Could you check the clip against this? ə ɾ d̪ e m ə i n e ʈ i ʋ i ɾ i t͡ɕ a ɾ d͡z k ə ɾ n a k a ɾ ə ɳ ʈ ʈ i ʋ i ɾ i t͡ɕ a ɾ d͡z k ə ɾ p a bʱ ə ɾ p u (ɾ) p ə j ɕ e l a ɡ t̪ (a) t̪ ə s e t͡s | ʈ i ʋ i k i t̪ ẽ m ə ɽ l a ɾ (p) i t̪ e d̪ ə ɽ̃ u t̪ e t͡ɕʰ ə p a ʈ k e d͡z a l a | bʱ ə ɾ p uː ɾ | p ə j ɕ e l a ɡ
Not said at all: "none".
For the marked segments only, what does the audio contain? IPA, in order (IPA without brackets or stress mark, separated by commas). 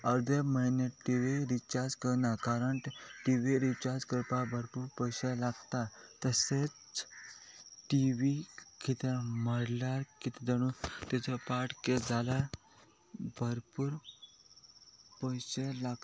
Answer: ɾ, a, k